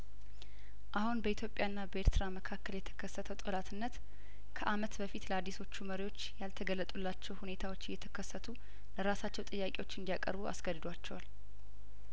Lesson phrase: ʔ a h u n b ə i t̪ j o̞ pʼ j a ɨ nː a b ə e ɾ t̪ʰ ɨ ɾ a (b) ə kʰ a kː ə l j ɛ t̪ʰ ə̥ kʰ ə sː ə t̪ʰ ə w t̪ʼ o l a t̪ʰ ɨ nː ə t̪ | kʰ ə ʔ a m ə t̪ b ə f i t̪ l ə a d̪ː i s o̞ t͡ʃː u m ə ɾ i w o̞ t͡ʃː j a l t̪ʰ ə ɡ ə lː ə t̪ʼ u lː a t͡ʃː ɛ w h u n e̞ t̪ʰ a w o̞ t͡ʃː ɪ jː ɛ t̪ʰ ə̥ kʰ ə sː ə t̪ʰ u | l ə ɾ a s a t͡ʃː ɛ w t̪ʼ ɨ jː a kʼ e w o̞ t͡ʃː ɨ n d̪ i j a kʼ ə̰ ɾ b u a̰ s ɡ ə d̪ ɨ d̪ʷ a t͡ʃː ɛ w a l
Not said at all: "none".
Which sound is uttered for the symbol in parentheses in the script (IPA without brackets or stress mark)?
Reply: m